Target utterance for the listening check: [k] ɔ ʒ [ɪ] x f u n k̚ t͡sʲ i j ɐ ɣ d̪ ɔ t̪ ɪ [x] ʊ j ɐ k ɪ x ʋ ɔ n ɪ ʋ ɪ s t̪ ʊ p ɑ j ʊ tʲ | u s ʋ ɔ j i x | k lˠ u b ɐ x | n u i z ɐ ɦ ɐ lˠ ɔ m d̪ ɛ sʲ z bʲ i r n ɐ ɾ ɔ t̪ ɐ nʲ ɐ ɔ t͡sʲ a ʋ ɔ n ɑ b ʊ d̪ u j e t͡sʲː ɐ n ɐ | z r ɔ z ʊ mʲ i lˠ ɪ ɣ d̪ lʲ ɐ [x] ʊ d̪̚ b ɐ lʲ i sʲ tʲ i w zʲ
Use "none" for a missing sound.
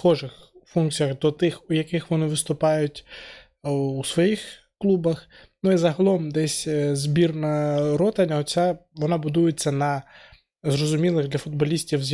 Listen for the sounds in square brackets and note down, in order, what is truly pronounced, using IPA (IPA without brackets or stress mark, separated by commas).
x, ɪ, x, f